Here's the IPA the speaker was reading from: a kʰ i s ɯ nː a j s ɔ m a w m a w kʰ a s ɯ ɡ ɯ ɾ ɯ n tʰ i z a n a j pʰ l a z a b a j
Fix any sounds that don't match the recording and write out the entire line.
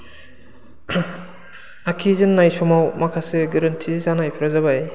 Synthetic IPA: a kʰ i z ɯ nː a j s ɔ m a w m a kʰ a s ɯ ɡ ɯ ɾ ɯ n tʰ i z a n a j pʰ ɾ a z a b a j